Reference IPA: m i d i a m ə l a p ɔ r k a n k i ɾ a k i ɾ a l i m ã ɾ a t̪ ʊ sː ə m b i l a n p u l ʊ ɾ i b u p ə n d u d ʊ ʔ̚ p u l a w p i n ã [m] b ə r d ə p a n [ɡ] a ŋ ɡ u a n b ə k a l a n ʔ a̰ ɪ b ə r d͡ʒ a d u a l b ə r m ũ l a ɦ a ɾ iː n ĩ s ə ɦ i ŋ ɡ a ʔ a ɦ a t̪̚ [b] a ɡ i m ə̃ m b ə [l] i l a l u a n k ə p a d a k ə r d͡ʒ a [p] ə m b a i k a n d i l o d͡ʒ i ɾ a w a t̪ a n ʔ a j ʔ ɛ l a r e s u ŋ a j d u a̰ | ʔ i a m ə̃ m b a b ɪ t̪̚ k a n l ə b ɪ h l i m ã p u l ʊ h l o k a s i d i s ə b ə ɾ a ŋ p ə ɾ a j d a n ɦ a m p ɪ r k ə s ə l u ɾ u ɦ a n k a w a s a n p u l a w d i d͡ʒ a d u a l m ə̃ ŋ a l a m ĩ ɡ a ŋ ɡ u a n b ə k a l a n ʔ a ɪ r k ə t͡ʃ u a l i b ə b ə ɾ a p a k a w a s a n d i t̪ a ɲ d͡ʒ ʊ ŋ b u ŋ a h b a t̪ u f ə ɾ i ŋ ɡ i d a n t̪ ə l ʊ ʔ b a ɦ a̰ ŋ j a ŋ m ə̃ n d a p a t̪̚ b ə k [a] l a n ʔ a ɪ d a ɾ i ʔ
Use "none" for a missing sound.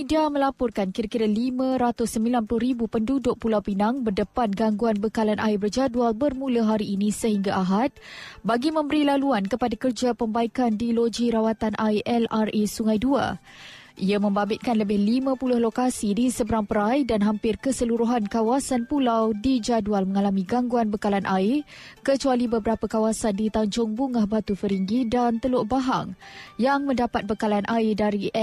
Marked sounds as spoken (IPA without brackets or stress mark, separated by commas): ŋ, ɡ, b, ɾ, p, a